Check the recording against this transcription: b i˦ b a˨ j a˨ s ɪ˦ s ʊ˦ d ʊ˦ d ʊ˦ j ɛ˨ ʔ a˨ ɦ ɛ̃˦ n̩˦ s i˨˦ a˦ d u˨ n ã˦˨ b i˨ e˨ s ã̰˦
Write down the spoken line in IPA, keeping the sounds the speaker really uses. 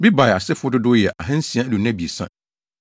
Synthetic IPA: b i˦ b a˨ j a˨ s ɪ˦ f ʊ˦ d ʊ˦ d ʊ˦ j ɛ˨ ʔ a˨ ɦ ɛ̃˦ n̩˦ s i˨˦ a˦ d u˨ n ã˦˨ b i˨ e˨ s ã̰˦